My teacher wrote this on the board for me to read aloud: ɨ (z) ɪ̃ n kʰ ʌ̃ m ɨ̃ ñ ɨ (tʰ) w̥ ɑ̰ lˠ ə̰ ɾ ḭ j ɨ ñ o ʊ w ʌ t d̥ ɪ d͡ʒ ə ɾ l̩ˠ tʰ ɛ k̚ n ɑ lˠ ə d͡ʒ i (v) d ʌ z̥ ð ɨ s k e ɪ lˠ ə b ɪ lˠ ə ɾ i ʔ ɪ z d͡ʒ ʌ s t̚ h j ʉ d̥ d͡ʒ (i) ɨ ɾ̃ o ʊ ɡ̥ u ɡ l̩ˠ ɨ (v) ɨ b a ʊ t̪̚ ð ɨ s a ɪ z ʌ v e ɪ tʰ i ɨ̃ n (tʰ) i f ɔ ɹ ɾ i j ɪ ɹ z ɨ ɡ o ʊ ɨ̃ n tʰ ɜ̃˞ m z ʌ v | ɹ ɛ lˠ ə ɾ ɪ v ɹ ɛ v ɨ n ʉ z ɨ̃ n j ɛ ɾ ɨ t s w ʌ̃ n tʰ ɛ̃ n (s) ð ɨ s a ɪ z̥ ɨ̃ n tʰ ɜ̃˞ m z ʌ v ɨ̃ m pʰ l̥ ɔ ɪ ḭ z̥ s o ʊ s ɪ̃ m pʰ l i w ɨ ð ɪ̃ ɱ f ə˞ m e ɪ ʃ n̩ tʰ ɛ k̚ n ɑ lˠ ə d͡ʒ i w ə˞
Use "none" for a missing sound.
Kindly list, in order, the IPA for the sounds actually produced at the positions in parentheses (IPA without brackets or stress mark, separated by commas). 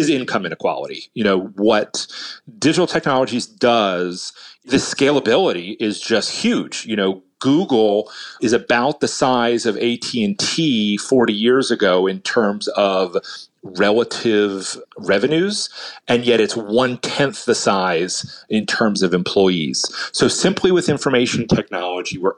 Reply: z, kʰ, z, j, z, tʰ, θ